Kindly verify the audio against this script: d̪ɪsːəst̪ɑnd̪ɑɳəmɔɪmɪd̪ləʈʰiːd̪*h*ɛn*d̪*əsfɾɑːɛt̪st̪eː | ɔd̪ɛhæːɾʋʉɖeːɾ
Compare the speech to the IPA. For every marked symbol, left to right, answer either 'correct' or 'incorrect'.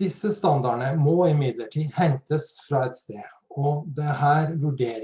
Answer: correct, incorrect: t̪

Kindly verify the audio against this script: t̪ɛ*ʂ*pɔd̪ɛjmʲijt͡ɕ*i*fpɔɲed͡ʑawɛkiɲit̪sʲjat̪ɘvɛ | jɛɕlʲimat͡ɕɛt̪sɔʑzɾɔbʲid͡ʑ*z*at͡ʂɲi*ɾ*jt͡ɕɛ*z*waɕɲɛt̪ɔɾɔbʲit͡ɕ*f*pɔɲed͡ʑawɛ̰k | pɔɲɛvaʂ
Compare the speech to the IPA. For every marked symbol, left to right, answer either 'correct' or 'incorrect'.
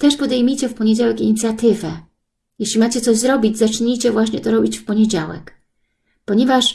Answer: correct, incorrect: ɛ, correct, incorrect: none, incorrect: v, correct

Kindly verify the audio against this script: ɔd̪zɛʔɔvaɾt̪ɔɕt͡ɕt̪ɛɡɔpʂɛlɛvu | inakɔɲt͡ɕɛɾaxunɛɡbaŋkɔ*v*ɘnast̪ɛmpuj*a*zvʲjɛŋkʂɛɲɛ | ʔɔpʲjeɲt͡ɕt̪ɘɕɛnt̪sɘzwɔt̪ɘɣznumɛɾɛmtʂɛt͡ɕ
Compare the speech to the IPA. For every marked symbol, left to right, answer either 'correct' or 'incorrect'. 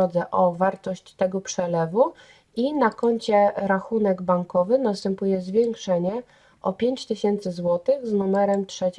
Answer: correct, incorrect: ɛ

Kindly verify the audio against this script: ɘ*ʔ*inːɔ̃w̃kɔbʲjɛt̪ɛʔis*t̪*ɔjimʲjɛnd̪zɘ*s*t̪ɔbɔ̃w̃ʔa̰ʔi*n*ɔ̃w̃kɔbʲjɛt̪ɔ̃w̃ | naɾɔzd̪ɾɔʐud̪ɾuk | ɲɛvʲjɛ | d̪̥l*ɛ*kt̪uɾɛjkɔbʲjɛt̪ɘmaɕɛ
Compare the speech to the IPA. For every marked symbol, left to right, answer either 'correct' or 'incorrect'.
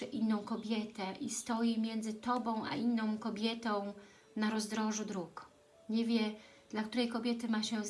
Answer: correct, correct, incorrect: none, incorrect: nː, incorrect: a

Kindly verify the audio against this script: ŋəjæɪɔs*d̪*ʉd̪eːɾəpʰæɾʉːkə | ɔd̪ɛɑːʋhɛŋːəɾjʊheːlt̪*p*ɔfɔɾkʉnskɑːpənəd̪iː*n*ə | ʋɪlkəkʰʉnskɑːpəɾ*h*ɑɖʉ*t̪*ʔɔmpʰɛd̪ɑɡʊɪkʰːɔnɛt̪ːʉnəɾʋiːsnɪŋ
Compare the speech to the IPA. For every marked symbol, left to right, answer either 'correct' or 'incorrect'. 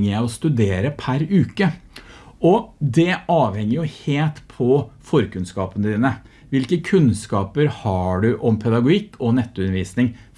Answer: incorrect: t̪, incorrect: pʰ, correct, correct, incorrect: none

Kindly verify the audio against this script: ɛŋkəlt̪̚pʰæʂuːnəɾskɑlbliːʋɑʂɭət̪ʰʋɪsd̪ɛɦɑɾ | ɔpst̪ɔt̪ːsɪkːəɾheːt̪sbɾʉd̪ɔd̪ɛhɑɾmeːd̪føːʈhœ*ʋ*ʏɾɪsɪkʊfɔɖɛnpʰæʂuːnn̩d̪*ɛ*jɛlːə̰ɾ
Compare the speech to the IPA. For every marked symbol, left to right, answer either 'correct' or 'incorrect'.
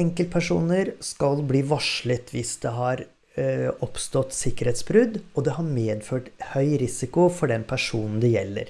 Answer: incorrect: none, correct

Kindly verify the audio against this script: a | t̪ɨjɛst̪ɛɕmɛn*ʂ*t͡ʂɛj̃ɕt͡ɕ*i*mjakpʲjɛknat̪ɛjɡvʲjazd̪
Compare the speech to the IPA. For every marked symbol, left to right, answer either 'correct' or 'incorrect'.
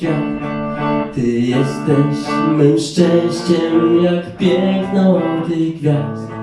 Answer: correct, incorrect: ɛ

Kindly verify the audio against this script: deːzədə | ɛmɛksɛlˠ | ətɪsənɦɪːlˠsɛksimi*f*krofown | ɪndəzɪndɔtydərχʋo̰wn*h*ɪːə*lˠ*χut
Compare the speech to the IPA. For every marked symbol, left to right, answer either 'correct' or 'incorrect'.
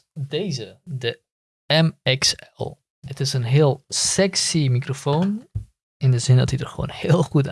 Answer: incorrect: none, correct, correct

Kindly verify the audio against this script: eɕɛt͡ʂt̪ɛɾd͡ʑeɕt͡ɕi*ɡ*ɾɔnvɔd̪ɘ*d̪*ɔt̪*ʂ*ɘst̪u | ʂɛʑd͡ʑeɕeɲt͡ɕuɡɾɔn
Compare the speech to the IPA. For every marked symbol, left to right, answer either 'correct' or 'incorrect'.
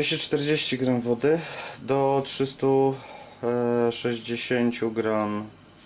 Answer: correct, correct, correct

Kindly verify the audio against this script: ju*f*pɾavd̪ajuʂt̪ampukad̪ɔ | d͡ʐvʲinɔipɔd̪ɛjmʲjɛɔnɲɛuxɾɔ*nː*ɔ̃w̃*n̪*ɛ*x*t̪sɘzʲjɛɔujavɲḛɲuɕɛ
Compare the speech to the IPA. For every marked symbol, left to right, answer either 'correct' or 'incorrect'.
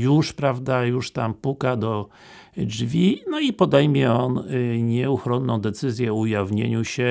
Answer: incorrect: ʂ, correct, incorrect: d̪, incorrect: none

